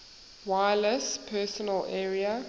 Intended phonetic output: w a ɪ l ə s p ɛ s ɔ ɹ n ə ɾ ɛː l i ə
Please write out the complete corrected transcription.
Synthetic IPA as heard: w a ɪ l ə s pʰ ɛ s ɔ n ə l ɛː ɹ i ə